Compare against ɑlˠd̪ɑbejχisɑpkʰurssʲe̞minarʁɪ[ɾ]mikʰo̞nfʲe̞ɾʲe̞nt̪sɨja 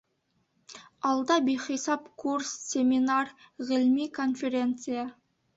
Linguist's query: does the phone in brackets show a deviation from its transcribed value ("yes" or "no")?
yes